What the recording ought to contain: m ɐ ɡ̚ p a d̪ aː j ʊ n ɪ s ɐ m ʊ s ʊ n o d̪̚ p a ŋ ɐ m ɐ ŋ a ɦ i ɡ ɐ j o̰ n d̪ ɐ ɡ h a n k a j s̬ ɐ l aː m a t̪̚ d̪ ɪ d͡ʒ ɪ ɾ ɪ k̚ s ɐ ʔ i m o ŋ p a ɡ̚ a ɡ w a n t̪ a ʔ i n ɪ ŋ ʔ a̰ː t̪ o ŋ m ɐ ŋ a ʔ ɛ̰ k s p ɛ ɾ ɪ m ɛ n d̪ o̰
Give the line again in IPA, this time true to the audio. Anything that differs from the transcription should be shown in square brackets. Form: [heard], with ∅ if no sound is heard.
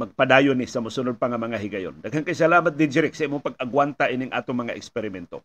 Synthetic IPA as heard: m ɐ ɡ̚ p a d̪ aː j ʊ n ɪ s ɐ m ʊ s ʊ n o d̪̚ p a ŋ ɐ m ɐ ŋ a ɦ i ɡ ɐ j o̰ n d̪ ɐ ɡ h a n k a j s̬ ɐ l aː m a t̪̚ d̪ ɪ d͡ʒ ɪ ɾ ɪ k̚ s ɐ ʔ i m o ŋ p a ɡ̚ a ɡ w a n t̪ a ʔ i n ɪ ŋ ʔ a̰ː t̪ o ŋ m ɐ ŋ a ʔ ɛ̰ k s p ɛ ɾ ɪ m ɛ n [t̪] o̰